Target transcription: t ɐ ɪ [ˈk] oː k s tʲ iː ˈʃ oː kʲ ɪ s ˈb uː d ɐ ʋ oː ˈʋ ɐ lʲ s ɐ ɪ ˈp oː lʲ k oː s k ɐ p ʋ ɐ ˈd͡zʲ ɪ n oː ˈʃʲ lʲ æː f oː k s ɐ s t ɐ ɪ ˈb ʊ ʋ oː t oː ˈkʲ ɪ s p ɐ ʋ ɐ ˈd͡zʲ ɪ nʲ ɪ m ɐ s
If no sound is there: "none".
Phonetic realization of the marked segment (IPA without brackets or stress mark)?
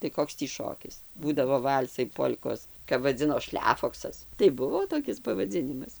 k